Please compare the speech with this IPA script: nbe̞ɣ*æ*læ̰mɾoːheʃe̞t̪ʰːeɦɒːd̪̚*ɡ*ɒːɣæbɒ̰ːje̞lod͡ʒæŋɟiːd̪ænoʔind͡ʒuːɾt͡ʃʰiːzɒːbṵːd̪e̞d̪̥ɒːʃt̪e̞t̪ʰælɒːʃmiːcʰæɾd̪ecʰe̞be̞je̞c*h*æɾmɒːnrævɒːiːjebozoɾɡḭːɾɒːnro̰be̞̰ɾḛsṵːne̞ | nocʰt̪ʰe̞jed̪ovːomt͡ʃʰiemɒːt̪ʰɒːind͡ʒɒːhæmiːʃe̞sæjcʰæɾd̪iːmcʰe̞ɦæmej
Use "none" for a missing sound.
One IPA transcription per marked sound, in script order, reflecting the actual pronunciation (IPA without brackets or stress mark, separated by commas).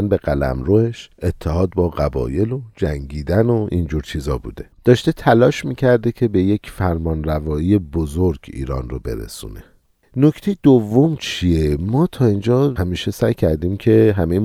æ, b, f